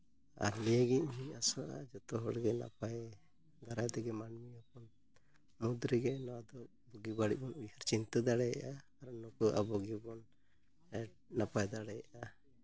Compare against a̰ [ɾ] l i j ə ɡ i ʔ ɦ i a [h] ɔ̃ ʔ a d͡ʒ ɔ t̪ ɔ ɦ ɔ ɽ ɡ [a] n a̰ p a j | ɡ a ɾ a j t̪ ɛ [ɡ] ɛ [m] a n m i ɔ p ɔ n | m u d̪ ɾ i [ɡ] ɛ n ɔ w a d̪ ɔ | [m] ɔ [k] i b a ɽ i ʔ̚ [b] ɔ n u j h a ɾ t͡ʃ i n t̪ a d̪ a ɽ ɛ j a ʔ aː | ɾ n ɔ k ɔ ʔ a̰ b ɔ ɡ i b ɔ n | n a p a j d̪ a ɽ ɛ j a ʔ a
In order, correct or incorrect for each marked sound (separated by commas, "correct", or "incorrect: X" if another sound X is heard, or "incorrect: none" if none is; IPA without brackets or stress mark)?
correct, incorrect: s, incorrect: ɛ, correct, correct, correct, incorrect: b, incorrect: ɡ, correct